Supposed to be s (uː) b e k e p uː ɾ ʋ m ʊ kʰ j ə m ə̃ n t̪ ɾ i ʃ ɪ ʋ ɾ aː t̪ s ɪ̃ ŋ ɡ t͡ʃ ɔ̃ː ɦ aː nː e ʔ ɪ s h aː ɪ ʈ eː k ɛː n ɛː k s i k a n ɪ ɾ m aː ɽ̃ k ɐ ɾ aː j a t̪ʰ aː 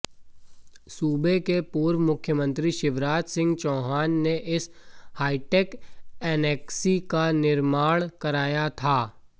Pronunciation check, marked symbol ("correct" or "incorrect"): correct